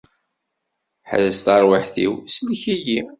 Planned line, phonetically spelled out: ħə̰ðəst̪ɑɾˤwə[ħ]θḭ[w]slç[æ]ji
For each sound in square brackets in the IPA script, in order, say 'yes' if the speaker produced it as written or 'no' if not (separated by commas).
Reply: yes, yes, no